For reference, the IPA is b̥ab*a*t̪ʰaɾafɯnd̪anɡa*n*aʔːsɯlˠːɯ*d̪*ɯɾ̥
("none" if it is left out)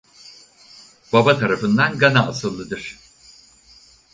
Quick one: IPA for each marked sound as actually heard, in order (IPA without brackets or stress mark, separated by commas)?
a, n, d̪